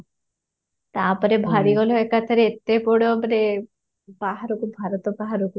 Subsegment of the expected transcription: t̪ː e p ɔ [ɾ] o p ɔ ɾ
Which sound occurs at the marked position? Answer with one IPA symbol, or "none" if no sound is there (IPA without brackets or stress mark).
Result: ɽ